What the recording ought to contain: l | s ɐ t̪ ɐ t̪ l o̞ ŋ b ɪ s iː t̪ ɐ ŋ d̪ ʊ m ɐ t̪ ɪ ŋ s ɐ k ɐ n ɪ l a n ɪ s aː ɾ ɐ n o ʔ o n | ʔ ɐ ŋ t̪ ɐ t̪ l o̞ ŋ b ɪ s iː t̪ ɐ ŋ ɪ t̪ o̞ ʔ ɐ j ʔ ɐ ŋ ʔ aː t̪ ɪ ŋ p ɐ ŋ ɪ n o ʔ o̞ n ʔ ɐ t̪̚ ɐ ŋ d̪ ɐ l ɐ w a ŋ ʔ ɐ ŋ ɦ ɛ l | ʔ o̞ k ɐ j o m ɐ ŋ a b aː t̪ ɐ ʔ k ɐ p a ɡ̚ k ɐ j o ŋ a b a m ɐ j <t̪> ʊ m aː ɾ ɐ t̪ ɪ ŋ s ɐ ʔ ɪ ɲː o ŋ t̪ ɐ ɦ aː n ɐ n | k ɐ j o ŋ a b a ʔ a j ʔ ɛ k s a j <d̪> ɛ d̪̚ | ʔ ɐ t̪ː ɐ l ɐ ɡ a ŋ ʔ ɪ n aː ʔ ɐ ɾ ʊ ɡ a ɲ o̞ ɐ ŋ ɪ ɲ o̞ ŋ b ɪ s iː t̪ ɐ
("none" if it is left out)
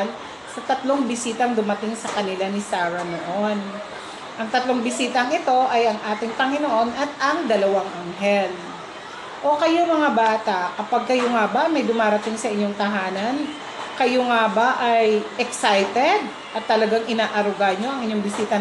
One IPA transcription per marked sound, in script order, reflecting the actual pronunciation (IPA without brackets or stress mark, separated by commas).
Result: d̪, t̪